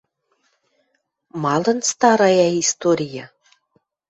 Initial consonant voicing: voiced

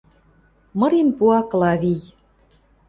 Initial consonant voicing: voiced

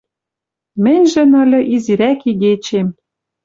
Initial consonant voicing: voiced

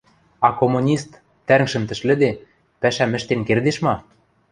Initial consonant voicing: voiceless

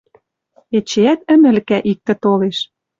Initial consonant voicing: voiceless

